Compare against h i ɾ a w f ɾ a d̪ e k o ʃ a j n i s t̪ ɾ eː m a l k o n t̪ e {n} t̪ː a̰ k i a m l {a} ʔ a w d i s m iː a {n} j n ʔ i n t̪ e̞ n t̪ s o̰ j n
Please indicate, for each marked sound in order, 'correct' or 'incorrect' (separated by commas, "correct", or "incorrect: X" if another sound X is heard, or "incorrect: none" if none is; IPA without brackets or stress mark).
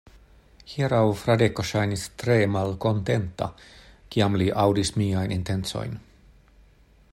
correct, incorrect: i, incorrect: none